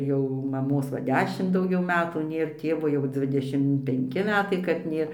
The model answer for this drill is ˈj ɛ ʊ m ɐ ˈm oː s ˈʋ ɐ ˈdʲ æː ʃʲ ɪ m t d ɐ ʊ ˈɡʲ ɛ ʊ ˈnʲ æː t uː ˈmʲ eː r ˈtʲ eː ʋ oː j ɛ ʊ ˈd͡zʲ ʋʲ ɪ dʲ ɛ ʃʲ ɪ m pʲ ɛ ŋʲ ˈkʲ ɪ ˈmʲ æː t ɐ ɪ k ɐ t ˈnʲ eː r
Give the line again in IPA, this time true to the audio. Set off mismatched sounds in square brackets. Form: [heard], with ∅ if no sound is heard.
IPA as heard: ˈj ɛ ʊ m ɐ ˈm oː s ˈʋ ɐ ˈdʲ æː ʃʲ ɪ m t d ɐ ʊ ˈɡʲ ɛ ʊ [ˈmʲ] æː t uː [ˈnʲ] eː r ˈtʲ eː ʋ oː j ɛ ʊ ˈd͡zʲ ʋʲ ɪ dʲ ɛ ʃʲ ɪ m pʲ ɛ ŋʲ ˈkʲ ɪ ˈmʲ æː t ɐ ɪ k ɐ t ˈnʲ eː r